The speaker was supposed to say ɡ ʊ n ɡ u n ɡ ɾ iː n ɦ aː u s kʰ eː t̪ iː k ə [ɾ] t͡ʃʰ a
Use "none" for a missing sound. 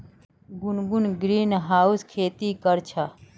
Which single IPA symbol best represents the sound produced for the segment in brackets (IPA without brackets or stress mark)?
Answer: ɾ